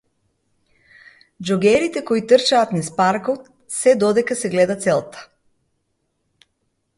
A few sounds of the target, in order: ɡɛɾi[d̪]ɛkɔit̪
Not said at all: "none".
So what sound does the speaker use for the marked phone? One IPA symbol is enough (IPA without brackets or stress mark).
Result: t̪